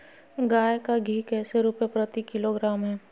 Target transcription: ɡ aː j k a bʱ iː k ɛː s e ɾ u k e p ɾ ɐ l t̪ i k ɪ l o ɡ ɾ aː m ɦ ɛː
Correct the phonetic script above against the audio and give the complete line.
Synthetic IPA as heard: ɡ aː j k a ɡʱ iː k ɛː s e ɾ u p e p ɾ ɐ t̪ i k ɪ l o ɡ ɾ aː m ɦ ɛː